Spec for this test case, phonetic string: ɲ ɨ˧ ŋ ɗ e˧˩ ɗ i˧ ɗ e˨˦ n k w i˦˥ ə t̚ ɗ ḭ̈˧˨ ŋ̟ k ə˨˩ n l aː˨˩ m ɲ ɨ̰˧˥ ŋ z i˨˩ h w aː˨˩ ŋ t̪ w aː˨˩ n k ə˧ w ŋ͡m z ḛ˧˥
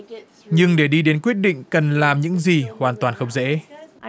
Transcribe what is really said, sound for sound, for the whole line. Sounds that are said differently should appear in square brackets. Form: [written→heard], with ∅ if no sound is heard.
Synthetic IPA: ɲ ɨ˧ ŋ ɗ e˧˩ ɗ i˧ ɗ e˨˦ n k w i˦˥ ə t̚ ɗ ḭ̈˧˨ ŋ̟ k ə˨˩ n l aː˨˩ m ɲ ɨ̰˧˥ ŋ z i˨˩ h w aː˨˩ [ŋ→n] t̪ w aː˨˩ n [k→x] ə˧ w ŋ͡m z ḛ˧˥

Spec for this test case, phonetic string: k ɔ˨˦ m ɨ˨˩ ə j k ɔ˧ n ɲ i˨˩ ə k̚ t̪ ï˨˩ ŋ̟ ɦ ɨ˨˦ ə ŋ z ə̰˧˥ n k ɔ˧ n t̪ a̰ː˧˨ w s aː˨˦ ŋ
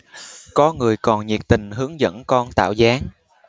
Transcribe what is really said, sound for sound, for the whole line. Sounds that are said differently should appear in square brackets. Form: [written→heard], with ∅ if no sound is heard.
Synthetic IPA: k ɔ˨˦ [m→ŋ] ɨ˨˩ ə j k [ɔ˧→ɔ˨˩] n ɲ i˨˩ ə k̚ t̪ ï˨˩ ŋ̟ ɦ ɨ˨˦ ə ŋ z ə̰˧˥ n k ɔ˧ n t̪ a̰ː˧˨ w [s→z] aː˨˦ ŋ

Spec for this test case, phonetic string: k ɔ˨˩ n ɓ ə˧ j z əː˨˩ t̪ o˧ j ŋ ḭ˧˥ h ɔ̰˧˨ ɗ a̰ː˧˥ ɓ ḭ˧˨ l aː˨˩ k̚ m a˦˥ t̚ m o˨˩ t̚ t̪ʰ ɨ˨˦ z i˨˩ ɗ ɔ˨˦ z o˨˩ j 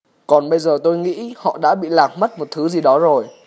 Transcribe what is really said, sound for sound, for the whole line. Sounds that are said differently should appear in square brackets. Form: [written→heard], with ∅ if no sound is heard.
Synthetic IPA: k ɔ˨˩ n ɓ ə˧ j z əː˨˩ t̪ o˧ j ŋ ḭ˧˥ h ɔ̰˧˨ ɗ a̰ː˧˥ ɓ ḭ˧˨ l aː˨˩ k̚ m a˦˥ t̚ m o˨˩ t̚ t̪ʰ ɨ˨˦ z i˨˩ ɗ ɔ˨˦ z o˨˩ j

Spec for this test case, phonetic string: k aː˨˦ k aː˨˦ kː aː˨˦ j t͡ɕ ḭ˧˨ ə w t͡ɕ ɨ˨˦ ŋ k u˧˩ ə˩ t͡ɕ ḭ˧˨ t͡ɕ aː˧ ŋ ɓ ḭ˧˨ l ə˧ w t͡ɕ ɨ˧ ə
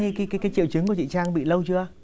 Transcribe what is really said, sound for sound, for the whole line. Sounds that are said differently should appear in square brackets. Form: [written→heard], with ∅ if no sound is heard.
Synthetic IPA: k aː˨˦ k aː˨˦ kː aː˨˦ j t͡ɕ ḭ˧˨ ə w t͡ɕ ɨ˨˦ ŋ k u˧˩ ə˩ t͡ɕ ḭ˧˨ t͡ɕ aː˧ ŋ ɓ ḭ˧˨ l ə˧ w t͡ɕ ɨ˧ ə

